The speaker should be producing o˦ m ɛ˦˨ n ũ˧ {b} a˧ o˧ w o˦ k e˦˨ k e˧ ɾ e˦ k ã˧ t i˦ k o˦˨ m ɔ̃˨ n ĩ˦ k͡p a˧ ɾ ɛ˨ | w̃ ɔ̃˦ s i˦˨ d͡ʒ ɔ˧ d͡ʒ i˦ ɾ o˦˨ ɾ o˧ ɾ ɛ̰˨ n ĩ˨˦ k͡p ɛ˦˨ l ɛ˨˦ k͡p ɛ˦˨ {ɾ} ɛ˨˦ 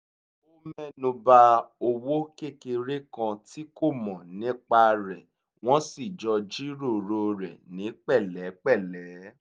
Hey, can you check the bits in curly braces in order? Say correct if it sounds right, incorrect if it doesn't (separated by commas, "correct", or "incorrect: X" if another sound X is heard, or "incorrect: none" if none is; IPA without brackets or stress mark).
correct, incorrect: l